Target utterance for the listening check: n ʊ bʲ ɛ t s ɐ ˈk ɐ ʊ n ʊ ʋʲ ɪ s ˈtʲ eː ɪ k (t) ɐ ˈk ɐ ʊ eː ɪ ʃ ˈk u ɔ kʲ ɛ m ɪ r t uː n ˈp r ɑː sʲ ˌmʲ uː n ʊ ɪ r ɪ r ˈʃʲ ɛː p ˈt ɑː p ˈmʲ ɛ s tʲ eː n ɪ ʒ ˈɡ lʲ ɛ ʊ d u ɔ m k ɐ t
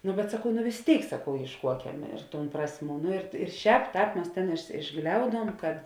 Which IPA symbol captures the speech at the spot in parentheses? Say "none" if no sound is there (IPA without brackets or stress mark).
s